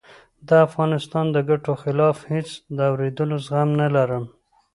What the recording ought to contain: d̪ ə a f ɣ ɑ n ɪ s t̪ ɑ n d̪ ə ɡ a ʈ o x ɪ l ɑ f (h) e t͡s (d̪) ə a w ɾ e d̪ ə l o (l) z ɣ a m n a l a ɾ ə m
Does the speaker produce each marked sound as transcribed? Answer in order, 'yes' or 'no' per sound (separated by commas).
yes, yes, no